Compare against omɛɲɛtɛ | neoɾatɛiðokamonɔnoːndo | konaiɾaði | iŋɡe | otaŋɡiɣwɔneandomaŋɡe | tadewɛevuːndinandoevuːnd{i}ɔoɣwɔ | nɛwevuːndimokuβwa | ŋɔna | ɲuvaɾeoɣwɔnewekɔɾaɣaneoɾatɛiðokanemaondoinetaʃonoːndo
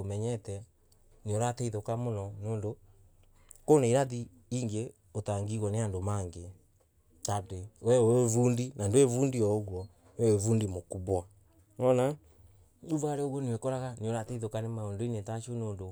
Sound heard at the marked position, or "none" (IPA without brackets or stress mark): i